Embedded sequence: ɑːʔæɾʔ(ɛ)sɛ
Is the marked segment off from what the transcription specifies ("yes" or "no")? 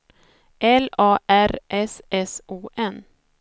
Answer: no